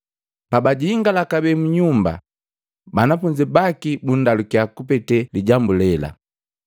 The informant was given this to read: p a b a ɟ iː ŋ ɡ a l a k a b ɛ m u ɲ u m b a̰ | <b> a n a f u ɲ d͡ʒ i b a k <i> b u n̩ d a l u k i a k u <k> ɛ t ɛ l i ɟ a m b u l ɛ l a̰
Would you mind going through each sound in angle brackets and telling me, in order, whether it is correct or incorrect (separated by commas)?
correct, correct, incorrect